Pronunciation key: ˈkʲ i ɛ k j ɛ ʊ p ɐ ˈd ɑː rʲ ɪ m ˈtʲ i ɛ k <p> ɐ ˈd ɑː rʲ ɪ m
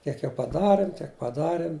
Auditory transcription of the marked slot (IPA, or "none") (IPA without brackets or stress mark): p